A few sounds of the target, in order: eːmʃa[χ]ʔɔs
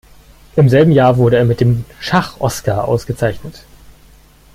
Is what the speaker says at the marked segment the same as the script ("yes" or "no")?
yes